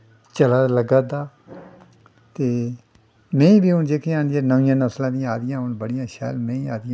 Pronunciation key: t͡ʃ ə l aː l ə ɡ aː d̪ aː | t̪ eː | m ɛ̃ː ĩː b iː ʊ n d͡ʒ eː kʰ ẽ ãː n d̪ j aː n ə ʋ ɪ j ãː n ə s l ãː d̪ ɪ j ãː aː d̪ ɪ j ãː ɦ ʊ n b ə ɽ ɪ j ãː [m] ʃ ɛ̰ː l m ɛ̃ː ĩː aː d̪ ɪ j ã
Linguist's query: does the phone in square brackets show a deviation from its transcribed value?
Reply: yes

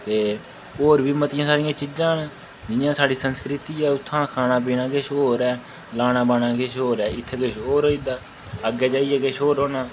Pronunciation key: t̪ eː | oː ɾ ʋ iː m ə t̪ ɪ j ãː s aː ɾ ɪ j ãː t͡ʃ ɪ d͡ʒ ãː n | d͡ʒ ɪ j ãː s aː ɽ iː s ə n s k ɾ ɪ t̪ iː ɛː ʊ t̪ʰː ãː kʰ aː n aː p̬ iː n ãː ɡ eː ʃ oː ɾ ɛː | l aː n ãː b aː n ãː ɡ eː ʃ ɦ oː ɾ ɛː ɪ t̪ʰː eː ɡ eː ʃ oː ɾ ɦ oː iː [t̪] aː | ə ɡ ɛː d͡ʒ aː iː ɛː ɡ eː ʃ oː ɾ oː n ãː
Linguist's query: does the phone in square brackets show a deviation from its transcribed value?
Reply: yes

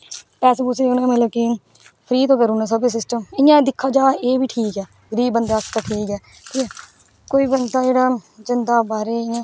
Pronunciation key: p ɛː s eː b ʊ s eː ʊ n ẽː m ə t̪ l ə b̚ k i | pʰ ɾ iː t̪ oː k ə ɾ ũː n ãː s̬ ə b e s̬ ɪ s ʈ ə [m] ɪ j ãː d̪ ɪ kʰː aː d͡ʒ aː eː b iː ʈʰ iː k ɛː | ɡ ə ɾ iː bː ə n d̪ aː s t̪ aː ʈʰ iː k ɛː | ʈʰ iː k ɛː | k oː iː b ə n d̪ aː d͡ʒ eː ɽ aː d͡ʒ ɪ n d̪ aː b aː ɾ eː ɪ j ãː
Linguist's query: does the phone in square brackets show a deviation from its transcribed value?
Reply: no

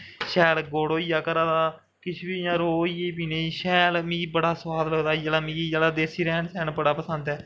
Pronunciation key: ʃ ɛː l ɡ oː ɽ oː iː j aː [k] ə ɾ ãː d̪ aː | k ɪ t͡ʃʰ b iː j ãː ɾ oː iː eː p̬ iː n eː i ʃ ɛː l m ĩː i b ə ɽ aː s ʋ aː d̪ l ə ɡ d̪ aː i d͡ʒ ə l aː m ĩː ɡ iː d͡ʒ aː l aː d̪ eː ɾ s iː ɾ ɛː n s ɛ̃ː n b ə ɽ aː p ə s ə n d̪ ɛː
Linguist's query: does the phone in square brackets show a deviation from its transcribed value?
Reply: no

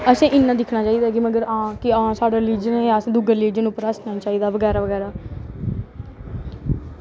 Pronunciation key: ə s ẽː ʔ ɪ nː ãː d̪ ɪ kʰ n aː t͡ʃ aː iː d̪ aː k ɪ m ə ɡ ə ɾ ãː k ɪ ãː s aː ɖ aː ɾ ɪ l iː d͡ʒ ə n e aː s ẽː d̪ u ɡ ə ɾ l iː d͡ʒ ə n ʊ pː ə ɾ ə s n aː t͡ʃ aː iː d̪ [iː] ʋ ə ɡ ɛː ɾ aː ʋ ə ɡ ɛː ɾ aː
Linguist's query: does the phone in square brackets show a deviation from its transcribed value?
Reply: yes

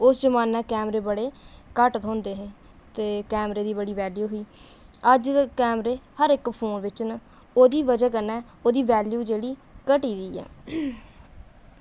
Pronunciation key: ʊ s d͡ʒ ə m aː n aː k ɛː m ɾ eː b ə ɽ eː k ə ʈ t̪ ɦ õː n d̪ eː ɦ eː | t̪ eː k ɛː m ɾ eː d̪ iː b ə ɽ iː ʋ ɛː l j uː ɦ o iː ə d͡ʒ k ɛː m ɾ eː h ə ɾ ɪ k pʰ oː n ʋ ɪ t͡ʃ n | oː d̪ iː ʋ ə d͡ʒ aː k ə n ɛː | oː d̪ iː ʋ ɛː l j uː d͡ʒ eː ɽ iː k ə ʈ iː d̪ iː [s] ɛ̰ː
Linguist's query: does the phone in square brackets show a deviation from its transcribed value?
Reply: yes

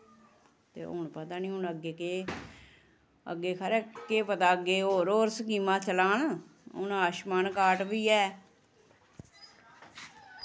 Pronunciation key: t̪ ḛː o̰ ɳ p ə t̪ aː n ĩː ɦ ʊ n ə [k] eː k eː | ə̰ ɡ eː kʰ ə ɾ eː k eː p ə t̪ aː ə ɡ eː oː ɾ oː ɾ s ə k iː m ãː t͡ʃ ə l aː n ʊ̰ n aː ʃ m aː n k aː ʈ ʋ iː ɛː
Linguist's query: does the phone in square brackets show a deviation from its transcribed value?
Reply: yes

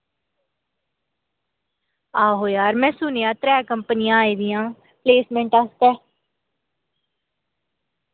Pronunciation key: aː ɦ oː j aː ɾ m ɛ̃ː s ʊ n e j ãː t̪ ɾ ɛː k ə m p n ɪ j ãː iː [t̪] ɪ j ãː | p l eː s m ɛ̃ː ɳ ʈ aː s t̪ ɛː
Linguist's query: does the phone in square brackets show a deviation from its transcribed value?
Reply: yes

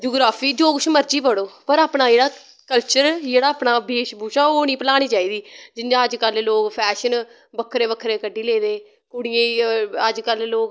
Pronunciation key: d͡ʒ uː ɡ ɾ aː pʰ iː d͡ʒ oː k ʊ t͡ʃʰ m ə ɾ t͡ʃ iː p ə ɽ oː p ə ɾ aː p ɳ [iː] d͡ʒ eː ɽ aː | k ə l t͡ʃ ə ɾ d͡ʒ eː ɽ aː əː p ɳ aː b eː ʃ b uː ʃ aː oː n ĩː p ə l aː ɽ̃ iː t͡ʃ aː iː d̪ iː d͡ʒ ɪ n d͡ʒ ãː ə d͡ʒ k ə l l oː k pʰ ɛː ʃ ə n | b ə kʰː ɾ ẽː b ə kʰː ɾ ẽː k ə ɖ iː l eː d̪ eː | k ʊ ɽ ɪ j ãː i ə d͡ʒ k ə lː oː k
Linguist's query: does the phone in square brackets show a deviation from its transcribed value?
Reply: yes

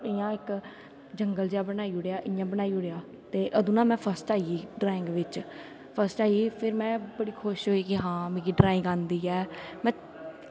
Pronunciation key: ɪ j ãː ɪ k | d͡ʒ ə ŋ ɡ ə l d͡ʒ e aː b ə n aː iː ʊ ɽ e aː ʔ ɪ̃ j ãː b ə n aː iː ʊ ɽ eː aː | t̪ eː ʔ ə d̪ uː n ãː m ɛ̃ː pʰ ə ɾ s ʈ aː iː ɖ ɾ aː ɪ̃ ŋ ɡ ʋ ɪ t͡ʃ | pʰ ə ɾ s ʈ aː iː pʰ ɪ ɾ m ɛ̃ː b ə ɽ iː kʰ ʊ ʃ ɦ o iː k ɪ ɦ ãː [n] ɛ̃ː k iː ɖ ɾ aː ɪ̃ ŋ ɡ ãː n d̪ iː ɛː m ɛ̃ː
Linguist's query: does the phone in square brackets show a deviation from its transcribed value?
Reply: yes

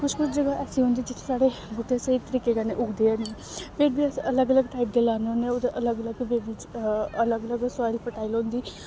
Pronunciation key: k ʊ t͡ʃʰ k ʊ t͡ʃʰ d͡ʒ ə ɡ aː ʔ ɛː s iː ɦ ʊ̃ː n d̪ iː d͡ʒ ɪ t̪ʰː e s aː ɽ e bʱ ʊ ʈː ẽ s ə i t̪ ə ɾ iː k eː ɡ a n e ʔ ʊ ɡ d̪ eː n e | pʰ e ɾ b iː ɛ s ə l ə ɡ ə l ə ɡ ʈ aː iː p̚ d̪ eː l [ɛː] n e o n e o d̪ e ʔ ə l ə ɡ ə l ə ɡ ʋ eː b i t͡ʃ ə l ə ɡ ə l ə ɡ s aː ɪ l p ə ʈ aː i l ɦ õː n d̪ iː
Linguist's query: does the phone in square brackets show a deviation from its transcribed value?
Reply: yes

